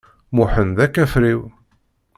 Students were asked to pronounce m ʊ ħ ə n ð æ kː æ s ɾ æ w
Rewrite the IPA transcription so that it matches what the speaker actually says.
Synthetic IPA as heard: m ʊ ħ ə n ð æ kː æ f ɾ i w